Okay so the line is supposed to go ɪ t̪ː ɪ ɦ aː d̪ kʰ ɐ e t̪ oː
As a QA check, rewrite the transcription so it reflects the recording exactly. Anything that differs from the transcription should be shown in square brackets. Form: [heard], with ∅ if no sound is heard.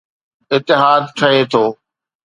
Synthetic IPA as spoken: ɪ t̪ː ɪ ɦ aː d̪ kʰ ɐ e [t̪ʰ] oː